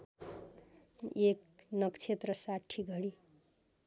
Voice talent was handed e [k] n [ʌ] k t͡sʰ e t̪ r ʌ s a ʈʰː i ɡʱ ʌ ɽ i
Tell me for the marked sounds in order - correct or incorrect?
correct, correct

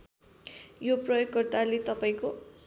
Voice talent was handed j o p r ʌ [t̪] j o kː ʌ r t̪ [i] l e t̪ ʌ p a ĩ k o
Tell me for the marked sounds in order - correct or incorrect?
incorrect, incorrect

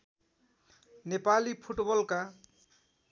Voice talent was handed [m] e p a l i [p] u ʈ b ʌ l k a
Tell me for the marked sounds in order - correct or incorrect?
incorrect, incorrect

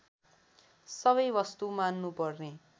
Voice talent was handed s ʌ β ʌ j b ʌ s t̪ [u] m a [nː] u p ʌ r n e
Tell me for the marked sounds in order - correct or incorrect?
correct, correct

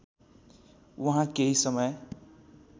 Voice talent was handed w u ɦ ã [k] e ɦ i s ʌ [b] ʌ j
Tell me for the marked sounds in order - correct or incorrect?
correct, incorrect

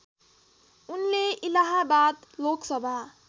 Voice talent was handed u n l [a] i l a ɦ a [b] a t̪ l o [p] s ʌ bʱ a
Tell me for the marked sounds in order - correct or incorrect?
incorrect, correct, incorrect

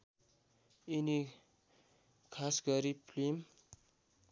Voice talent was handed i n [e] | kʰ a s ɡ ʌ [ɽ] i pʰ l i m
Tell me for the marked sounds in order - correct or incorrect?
incorrect, incorrect

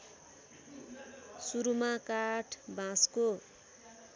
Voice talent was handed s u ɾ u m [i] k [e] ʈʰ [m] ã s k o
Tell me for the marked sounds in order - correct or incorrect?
incorrect, incorrect, incorrect

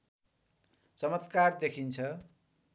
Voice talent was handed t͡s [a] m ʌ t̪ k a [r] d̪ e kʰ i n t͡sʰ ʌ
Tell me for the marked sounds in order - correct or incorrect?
incorrect, correct

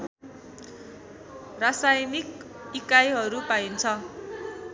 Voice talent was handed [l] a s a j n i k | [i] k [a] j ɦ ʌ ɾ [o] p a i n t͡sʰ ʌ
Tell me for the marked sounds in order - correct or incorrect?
incorrect, correct, correct, incorrect

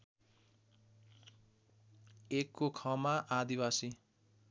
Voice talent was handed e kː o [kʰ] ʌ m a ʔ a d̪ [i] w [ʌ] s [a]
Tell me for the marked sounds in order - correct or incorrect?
correct, correct, incorrect, incorrect

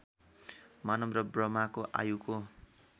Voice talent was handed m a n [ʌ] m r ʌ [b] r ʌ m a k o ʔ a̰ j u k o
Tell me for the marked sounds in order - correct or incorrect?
correct, correct

